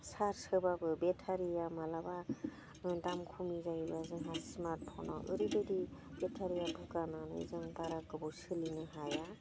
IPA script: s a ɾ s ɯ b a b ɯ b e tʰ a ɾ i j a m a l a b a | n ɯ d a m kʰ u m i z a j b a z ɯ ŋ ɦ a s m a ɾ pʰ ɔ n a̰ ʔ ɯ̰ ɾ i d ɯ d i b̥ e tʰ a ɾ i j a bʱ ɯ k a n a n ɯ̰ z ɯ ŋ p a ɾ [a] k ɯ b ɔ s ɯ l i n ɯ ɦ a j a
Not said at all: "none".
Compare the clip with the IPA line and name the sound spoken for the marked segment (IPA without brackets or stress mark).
a